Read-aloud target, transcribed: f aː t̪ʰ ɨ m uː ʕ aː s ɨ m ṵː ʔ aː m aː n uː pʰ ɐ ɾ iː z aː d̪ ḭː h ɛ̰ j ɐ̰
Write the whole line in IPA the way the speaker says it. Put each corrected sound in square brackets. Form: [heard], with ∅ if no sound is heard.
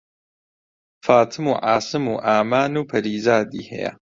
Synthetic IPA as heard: f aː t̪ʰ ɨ m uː ʕ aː s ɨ m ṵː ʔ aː m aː n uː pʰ ɐ ɾ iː z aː d̪ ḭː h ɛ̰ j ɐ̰